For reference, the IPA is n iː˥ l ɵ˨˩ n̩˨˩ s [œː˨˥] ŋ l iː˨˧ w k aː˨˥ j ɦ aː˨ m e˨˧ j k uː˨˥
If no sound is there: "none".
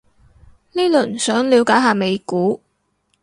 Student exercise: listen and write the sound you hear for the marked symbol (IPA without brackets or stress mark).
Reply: œː˨˥